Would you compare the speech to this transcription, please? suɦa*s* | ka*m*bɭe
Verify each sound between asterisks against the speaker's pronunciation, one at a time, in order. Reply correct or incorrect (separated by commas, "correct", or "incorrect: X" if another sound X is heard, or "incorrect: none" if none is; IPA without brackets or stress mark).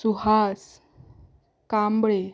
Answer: correct, correct